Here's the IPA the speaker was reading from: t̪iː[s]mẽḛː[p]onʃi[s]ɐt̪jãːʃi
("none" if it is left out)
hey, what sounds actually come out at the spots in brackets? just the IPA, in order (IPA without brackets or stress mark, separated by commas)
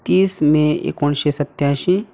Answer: s, k, s